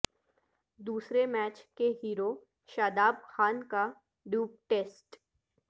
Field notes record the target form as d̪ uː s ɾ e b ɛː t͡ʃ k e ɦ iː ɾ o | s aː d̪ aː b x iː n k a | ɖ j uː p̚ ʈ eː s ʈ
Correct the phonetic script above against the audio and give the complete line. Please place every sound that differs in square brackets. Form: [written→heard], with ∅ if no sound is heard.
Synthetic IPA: d̪ uː s ɾ e [b→m] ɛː t͡ʃ k e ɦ iː ɾ o | [s→ʃ] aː d̪ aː b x [iː→aː] n k a | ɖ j uː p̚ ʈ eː s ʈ